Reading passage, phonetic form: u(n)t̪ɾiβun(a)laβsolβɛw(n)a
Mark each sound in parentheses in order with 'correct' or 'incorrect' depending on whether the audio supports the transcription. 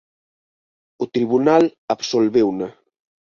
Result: incorrect: none, correct, correct

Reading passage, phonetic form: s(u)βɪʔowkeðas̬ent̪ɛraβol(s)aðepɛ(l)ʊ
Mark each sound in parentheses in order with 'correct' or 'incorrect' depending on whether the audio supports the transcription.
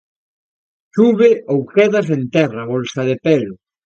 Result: correct, correct, correct

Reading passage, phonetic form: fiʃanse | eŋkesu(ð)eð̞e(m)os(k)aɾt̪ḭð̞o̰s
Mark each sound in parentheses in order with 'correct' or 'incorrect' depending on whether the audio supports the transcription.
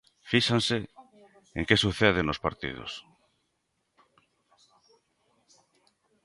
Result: incorrect: θ, incorrect: n, incorrect: p

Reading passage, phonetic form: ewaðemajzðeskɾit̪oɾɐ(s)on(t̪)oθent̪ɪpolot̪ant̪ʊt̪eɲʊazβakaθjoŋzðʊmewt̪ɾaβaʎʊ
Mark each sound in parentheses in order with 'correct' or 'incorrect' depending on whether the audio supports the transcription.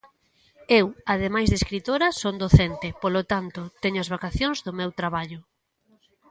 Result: correct, incorrect: d̪

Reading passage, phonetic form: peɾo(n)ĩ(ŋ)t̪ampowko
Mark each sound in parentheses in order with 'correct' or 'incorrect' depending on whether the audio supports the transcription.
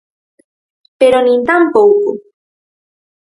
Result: correct, incorrect: n

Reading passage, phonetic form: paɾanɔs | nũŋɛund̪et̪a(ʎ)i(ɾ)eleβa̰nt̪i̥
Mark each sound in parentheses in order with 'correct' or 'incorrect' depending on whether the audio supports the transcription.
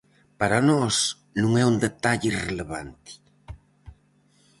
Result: correct, incorrect: r

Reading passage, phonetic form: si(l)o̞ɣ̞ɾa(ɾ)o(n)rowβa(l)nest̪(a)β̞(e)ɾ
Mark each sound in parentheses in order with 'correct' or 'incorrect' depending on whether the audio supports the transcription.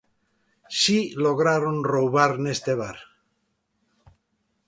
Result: correct, correct, correct, incorrect: ɾ, incorrect: e, incorrect: a

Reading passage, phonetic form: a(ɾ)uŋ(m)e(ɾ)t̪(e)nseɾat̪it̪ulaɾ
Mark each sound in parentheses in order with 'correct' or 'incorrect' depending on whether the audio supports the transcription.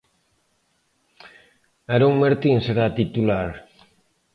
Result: correct, correct, correct, incorrect: i

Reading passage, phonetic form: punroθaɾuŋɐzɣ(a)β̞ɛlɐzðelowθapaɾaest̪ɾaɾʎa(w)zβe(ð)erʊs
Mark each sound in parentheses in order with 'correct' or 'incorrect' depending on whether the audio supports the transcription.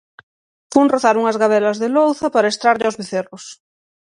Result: correct, correct, incorrect: θ

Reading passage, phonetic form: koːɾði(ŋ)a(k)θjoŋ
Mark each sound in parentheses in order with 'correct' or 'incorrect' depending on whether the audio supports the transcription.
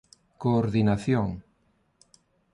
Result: incorrect: n, incorrect: none

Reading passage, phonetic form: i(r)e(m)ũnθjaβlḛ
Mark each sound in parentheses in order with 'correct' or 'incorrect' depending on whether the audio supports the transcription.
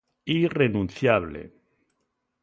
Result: correct, incorrect: n

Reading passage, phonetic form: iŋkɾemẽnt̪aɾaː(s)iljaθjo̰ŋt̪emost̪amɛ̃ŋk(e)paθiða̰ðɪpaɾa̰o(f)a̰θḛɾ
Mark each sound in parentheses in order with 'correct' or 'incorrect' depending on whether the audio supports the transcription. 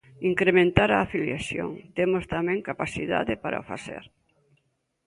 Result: incorrect: f, incorrect: a, correct

